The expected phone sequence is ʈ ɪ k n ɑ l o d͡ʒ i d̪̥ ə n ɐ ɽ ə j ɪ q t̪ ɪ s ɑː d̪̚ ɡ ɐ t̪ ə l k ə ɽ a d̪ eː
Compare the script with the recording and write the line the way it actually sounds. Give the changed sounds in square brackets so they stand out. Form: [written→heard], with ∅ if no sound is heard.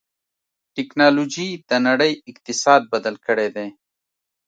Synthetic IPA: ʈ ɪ k n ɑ l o d͡ʒ i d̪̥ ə n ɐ ɽ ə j ɪ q t̪ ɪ s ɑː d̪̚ [ɡ→b] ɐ [t̪→d̪] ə l k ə ɽ [a→e] d̪ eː